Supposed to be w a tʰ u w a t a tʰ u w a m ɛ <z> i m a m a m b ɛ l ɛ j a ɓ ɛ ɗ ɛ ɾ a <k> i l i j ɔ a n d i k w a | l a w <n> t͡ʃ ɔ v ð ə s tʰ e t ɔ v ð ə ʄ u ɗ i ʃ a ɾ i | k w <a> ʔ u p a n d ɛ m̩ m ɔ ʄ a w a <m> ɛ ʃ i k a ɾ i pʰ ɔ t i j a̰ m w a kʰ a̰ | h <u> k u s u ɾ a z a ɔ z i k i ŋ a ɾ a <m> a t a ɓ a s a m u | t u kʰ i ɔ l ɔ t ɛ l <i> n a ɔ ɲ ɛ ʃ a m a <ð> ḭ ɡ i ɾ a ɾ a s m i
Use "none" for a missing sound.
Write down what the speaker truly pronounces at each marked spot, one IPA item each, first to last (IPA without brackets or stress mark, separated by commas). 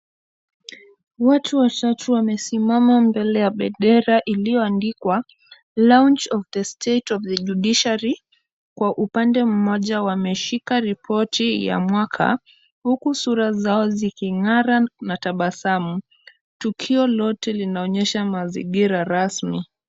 s, ʔ, n, a, m, u, n, i, z